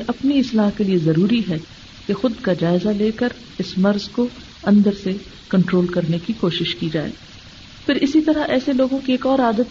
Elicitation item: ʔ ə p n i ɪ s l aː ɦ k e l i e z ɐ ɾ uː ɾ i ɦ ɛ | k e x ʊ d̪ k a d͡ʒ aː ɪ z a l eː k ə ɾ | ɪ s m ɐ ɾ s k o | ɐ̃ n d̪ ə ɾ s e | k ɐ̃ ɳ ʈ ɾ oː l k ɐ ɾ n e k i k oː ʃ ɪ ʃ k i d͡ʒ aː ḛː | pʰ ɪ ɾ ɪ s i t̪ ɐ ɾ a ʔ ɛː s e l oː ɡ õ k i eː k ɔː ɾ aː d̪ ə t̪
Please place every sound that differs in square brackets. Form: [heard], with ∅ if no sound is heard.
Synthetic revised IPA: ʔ [ɐ] p n i ɪ s l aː ɦ k e l i e z ɐ ɾ uː ɾ i ɦ ɛ | k e x ʊ d̪ k a d͡ʒ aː ɪ z a l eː k ə ɾ | ɪ s m ɐ ɾ [z] k o | ɐ̃ n d̪ ə ɾ s e | k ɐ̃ ɳ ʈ ɾ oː l k ɐ ɾ n e k i k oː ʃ ɪ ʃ k i d͡ʒ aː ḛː | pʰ ɪ ɾ ɪ s i t̪ ɐ ɾ a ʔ ɛː s e l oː ɡ õ k i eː k ɔː ɾ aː d̪ ə t̪